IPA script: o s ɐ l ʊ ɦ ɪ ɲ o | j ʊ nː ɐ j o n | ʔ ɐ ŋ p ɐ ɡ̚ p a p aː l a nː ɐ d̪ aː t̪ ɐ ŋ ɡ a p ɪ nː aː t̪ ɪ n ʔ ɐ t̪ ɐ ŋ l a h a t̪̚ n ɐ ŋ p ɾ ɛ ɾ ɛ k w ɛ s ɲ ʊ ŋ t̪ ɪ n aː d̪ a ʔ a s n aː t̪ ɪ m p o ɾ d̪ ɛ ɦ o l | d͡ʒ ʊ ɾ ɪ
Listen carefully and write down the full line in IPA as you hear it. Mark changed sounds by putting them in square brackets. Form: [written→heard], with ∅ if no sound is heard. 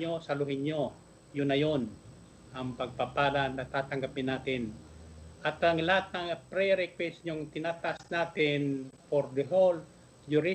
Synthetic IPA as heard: o s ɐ l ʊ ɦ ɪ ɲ o | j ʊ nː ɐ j o n | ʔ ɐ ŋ p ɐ ɡ̚ p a p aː l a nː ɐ [d̪→t̪] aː t̪ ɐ ŋ ɡ a p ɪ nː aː t̪ ɪ n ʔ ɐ t̪ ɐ ŋ l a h a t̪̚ n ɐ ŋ p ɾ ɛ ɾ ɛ k w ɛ s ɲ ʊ ŋ t̪ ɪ n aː [d̪→t̪] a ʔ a s n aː t̪ ɪ [m→n] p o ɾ d̪ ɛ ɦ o l | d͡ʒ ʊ ɾ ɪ